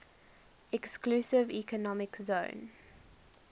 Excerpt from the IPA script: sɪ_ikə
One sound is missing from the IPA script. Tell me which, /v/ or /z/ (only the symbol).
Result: v